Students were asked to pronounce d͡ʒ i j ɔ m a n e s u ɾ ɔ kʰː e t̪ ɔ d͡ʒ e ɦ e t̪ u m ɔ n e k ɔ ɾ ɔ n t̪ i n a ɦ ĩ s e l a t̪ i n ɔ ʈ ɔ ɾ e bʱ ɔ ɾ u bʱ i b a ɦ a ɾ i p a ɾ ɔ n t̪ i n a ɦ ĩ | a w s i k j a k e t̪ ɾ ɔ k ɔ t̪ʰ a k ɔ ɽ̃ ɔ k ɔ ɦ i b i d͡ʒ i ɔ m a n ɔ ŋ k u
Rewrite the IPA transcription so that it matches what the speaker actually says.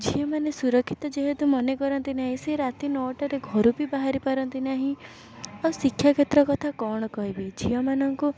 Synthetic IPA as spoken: d͡ʒ i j ɔ m a n e s u ɾ ɔ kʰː i t̪ ɔ d͡ʒ e ɦ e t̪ u m ɔ n e k ɔ ɾ ɔ n t̪ i n a ɦ ĩ s e ɾ a t̪ i n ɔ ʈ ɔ ɾ e ɡʱ ɔ ɾ u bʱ i b a ɦ a ɾ i p a ɾ ɔ n t̪ i n a ɦ ĩ | a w s i kʰ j a k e t̪ ɾ ɔ k ɔ t̪ʰ a k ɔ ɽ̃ ɔ k ɔ ɦ i b i d͡ʒ i ɔ m a n ɔ ŋ k u